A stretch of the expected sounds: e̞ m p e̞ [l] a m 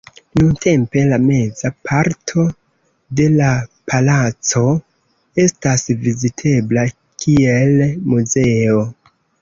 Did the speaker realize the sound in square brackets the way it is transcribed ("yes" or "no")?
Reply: yes